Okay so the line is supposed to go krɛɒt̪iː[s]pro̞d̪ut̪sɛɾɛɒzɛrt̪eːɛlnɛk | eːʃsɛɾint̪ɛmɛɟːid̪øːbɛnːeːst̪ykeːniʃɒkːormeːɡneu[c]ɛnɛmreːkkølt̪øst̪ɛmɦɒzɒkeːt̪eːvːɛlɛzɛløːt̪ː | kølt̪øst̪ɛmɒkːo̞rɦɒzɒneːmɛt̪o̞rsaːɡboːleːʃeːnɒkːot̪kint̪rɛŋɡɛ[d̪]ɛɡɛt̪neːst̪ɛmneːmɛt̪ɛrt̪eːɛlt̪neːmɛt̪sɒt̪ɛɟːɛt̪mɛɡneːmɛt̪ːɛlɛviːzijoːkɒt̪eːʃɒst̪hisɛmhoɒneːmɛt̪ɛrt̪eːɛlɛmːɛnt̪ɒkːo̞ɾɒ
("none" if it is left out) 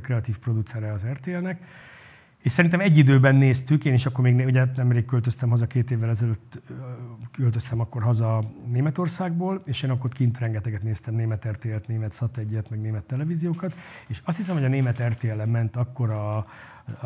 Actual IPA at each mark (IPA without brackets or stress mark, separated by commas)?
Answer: f, ɟ, t̪